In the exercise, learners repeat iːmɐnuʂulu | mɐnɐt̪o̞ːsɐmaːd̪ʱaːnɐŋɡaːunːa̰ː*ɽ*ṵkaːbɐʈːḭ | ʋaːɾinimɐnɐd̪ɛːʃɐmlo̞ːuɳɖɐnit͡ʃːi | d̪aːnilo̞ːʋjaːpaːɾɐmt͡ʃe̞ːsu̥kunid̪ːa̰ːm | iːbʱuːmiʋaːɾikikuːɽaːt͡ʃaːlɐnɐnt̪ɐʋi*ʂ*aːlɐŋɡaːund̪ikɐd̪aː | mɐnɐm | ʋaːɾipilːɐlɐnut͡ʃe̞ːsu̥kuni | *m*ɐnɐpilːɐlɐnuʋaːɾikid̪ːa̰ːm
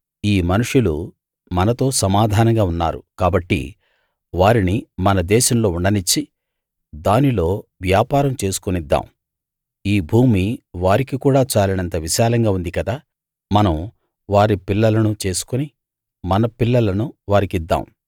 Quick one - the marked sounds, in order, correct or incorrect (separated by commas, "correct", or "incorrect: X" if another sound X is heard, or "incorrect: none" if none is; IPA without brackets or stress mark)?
incorrect: ɾ, incorrect: ʃ, correct